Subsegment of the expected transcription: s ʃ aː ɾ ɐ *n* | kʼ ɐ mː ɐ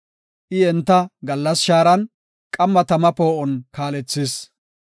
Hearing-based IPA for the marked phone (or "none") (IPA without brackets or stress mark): n